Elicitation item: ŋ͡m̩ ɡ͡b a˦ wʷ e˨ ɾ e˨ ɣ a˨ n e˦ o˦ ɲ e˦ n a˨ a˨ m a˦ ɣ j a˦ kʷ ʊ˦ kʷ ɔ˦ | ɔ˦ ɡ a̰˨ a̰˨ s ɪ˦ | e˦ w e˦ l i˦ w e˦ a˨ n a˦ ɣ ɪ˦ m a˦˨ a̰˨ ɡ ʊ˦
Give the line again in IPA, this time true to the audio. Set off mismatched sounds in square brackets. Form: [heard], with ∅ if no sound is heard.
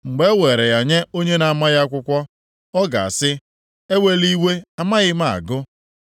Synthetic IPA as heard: ŋ͡m̩ ɡ͡b [e˦] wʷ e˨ ɾ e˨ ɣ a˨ [ɲ] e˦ o˦ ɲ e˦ n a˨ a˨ m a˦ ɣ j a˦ kʷ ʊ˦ kʷ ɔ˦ | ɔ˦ ɡ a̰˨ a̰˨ s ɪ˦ | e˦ w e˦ l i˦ w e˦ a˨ [m] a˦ ɣ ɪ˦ m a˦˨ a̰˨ ɡ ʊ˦

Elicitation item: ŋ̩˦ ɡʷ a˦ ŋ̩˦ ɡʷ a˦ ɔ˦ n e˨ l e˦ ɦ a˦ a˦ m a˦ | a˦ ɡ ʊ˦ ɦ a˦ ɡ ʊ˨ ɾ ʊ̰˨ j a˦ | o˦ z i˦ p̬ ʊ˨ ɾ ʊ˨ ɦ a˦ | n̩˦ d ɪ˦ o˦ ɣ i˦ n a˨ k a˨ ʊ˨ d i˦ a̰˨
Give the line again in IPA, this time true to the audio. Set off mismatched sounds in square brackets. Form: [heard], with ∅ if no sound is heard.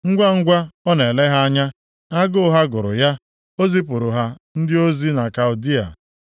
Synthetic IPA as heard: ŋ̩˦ ɡʷ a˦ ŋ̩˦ ɡʷ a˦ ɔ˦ n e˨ l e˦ ɦ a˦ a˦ [ɲ] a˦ | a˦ ɡ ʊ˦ ɦ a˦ ɡ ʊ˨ ɾ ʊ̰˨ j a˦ | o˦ z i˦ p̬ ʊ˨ ɾ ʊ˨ ɦ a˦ | n̩˦ d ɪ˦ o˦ [z] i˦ n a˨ k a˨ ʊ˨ d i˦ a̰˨

